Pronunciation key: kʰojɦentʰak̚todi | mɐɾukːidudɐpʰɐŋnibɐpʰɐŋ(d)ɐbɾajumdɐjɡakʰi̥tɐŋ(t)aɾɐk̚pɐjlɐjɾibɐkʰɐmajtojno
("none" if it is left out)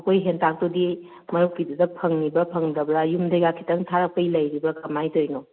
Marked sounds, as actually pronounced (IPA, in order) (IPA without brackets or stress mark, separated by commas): d, tʰ